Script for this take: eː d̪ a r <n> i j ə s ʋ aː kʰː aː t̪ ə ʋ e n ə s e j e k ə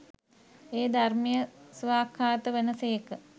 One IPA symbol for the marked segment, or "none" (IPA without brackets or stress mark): m